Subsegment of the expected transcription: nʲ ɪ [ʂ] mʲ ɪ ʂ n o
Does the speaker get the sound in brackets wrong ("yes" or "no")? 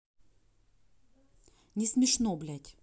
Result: yes